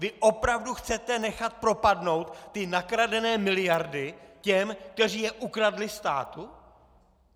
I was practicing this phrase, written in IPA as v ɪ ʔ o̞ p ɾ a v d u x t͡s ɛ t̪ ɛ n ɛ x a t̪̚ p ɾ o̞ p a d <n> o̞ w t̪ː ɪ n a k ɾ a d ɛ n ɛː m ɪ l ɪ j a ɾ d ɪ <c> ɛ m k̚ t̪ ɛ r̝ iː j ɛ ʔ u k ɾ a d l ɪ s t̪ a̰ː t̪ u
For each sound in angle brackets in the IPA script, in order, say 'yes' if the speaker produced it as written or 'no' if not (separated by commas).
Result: yes, yes